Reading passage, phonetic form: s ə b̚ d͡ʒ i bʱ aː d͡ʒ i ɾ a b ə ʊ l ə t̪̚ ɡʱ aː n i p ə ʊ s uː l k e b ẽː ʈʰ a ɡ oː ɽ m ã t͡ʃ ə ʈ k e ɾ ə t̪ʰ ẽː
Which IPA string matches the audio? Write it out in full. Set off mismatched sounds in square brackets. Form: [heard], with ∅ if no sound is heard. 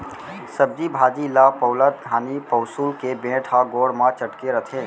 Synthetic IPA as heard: s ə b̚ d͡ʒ i bʱ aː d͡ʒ i [l] a [p] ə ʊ l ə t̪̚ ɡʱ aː n i p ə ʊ s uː l k e b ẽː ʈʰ a ɡ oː ɽ m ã t͡ʃ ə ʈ k e ɾ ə t̪ʰ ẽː